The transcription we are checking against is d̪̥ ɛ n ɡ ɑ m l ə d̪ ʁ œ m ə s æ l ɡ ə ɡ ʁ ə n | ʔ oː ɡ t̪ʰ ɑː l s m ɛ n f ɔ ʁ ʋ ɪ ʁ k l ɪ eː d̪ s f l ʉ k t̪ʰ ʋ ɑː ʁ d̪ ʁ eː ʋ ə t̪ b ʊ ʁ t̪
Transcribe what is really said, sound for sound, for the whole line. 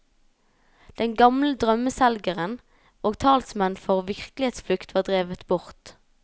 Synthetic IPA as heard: d̪̥ ɛ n ɡ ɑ m l ə d̪ ʁ œ m ə s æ l ɡ ə ʁ ə n | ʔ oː ɡ t̪ʰ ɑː l s m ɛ n f ɔ ʁ ʋ ɪ ʁ k l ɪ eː t̪ s f l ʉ k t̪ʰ ʋ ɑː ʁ d̪ ʁ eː ʋ ə t̪ b ʊ ʁ t̪